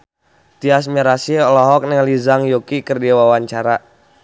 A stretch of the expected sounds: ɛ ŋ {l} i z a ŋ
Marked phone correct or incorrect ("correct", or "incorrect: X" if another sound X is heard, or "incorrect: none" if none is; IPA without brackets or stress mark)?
correct